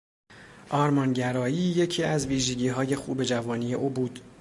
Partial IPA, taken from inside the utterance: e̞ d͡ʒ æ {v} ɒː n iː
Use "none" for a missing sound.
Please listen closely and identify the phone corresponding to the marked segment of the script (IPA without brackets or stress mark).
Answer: v